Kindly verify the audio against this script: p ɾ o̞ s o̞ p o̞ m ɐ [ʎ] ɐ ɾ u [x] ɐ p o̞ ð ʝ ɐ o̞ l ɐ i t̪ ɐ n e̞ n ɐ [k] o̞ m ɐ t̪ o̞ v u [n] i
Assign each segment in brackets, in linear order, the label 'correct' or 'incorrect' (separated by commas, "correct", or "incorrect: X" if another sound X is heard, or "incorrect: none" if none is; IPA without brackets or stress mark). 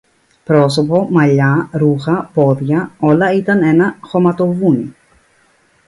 correct, correct, incorrect: x, correct